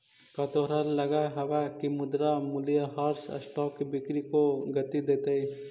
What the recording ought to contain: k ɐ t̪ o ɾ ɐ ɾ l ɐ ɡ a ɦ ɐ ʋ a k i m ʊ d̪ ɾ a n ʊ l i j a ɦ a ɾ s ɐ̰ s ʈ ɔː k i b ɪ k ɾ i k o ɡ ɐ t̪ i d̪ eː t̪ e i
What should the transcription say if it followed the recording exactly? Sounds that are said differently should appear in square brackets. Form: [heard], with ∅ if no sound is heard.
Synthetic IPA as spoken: k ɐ t̪ o ɾ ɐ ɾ l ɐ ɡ a ɦ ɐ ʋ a k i m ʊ d̪ ɾ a [m] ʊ l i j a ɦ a ɾ s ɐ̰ s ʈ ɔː k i b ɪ k ɾ i k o ɡ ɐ t̪ i d̪ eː t̪ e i